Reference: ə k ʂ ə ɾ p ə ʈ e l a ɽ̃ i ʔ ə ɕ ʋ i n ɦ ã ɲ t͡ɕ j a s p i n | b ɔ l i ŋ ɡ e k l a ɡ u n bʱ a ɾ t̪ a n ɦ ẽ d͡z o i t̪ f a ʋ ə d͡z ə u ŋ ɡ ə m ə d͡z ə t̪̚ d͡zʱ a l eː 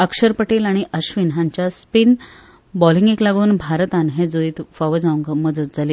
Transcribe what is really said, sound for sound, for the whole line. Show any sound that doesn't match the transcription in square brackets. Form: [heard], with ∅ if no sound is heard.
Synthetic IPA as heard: ə k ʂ ə ɾ p ə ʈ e l a ɽ̃ i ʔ ə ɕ ʋ i n ɦ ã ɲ t͡ɕ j a s p i n | b ɔ l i ŋ ɡ e k l a ɡ [uː] n bʱ a ɾ t̪ a n ɦ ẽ d͡z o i t̪ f a ʋ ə d͡z [a] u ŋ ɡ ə m ə d͡z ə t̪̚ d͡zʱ a l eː